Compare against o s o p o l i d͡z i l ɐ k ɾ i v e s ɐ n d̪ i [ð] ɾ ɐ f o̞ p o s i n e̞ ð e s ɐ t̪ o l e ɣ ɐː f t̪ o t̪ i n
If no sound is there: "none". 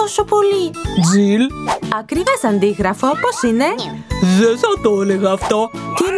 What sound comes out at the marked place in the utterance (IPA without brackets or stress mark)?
ɣ